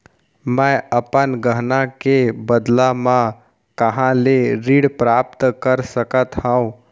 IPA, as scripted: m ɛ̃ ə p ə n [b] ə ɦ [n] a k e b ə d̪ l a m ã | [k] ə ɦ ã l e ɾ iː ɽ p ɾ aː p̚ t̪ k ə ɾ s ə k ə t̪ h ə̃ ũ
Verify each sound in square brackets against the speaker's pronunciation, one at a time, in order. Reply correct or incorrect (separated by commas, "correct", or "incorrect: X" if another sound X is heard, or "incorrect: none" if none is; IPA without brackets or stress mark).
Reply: incorrect: ɡ, correct, correct